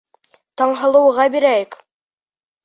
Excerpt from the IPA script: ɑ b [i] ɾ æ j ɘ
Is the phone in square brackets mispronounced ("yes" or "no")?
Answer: no